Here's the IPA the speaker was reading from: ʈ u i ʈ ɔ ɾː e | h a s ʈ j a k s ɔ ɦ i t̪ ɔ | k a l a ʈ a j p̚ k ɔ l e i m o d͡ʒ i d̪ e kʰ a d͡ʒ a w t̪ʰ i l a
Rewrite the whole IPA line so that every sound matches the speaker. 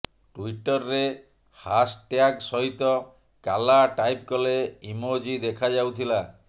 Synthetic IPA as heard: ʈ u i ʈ ɔ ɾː e | h a s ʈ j a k s ɔ ɦ i t̪ ɔ | k a l a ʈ a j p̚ k ɔ l e i m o d͡ʒ i d̪ e kʰ a d͡ʒ a w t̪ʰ i l a